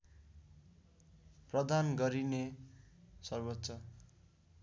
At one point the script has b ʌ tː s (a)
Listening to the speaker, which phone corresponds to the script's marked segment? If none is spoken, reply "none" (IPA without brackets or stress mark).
ʌ